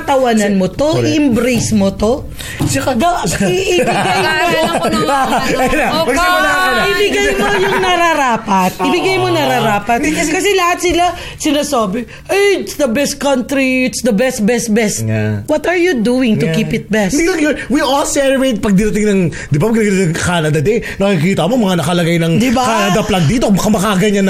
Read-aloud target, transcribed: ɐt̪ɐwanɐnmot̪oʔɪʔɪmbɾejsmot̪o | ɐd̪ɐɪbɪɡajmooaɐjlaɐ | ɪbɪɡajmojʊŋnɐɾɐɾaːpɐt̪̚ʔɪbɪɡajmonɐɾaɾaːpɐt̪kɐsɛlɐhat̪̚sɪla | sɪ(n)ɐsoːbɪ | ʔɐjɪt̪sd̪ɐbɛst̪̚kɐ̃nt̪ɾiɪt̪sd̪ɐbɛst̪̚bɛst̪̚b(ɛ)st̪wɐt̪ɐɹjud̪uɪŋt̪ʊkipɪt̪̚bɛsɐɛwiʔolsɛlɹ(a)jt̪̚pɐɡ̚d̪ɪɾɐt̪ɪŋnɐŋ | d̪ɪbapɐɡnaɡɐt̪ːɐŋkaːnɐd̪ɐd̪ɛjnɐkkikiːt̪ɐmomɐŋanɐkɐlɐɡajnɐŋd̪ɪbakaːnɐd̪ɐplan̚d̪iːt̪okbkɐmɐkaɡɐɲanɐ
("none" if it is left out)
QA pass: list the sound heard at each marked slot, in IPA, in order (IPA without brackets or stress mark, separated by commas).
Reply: n, ɛ, e